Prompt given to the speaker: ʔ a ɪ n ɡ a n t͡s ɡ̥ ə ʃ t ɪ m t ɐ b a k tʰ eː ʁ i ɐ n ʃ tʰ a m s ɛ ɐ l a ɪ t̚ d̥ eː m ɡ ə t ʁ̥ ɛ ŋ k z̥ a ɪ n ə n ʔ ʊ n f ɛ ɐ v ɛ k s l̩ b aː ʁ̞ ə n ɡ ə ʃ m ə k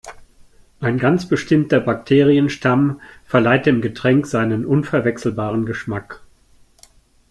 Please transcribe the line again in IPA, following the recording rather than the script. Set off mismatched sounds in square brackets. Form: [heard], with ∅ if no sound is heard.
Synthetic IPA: ʔ a ɪ n ɡ a n t͡s [b̥] ə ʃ t ɪ m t ɐ b a k tʰ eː ʁ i [ə] n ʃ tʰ a m [f] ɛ ɐ l a ɪ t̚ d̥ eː m ɡ ə t ʁ̥ ɛ ŋ k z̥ a ɪ n ə n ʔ ʊ n f ɛ ɐ v ɛ k s l̩ b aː ʁ̞ ə n ɡ ə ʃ m [a] k